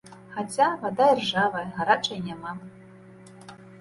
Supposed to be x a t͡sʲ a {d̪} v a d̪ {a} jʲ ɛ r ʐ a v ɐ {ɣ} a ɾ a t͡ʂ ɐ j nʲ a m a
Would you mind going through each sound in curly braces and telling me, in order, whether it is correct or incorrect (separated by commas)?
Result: incorrect, correct, correct